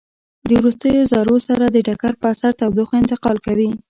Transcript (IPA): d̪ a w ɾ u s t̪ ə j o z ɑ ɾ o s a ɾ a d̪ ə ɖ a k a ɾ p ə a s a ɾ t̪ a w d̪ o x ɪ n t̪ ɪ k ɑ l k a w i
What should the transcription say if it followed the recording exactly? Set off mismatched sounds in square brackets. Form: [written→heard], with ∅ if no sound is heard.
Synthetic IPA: d̪ [a→ə] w ɾ u s t̪ ə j o z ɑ ɾ o s a ɾ a d̪ ə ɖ a k a ɾ p ə a s a ɾ t̪ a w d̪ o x ɪ n t̪ ɪ [k→q] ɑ l k a w i